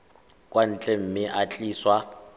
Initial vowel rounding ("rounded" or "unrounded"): unrounded